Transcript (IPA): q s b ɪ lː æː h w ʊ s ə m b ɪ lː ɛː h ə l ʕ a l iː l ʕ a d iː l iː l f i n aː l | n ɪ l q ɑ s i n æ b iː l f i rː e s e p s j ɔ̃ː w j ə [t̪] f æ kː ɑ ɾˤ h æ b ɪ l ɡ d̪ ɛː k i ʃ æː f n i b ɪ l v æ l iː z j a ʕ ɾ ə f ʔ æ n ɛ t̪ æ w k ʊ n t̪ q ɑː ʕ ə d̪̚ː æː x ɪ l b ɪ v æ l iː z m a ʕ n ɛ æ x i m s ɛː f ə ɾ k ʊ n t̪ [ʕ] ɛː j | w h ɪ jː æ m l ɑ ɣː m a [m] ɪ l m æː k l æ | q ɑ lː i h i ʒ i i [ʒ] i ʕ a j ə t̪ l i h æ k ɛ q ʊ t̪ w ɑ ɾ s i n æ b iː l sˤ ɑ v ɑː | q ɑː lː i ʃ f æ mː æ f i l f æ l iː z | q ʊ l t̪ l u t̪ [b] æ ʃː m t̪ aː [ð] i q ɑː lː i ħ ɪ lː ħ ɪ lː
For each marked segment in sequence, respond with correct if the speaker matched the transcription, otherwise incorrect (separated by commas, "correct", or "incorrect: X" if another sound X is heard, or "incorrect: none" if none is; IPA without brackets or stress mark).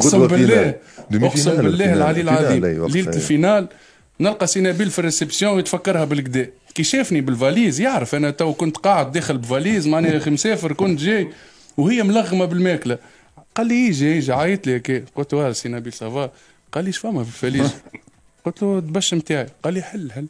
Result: correct, incorrect: ʒ, incorrect: b, correct, correct, incorrect: ʕ